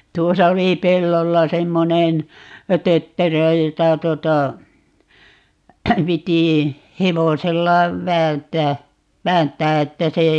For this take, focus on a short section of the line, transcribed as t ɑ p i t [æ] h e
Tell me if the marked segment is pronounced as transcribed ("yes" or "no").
no